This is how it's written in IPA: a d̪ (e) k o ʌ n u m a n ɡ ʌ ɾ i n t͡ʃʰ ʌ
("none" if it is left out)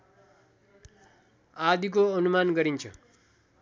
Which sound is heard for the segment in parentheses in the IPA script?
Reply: i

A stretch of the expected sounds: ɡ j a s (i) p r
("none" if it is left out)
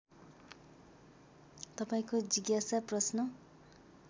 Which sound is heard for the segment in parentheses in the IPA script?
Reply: a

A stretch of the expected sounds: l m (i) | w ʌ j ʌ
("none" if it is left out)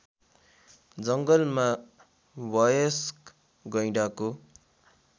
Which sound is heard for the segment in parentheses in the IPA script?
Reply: a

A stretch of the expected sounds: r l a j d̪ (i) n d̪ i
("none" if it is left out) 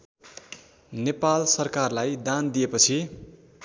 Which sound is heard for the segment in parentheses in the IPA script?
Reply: a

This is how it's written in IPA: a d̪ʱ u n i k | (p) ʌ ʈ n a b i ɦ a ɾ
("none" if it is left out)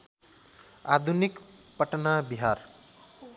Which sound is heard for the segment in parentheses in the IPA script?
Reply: p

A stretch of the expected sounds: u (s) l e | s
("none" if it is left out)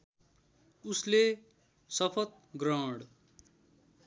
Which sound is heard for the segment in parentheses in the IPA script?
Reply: s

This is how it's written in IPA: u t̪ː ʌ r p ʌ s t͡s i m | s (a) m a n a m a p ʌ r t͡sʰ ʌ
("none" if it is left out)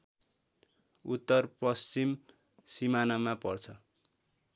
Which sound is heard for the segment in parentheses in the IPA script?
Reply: i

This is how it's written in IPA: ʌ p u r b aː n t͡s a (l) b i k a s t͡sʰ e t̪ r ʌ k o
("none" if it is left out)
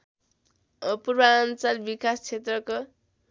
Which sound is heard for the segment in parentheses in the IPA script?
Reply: l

